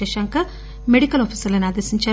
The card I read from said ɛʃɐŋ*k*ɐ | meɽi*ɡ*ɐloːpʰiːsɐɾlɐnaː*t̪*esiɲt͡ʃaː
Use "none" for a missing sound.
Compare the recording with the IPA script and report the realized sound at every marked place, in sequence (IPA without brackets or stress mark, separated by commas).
k, k, d̪